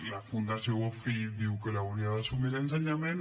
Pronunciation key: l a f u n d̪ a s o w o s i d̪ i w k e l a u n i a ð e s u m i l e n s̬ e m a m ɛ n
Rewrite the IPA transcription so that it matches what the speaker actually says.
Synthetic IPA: l a f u n d̪ a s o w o f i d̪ i w k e l a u n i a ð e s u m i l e n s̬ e ɲ a m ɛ n